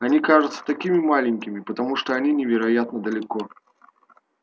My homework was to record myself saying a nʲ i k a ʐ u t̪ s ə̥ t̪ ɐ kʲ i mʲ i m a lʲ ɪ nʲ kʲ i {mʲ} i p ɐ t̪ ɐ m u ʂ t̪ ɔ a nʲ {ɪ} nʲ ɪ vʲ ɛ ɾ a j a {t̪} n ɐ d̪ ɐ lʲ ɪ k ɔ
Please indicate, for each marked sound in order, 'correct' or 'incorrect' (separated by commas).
correct, incorrect, correct